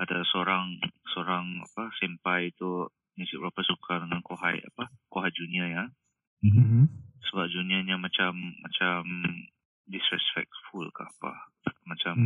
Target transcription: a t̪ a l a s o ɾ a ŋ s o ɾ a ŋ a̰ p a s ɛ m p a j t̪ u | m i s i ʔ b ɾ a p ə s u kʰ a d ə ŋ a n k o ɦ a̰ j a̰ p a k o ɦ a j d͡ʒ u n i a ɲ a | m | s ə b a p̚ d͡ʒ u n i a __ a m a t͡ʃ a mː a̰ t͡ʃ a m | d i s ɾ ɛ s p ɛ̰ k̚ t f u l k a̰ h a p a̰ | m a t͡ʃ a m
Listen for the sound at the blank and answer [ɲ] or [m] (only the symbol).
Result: ɲ